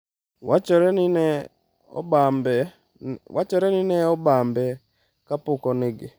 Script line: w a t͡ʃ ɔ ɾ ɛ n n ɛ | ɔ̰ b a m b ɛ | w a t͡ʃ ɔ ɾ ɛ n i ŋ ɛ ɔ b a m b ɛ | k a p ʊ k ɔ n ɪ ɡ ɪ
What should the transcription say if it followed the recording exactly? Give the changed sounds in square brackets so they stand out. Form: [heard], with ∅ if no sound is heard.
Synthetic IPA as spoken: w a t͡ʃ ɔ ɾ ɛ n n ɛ | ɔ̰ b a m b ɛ | w a t͡ʃ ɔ ɾ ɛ n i [n] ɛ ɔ b a m b ɛ | k a p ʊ k ɔ n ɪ ɡ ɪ